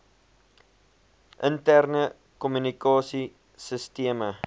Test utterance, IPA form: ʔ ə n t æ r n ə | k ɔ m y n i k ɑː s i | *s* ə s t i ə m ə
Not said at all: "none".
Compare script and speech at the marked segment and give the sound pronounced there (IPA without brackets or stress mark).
s